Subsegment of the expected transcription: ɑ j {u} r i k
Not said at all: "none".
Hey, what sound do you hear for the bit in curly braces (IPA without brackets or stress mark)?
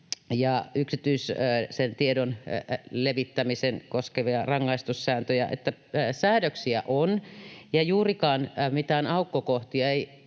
uː